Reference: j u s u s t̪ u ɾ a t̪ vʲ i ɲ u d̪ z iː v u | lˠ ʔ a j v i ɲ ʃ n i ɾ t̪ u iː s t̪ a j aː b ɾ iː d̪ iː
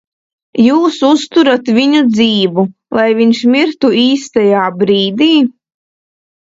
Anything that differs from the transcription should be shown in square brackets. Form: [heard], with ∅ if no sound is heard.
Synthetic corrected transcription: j [uː] s u s t̪ u ɾ a t̪ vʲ i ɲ u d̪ z iː v u | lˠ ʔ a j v i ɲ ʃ [m] i ɾ t̪ u iː s t̪ a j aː b ɾ iː d̪ iː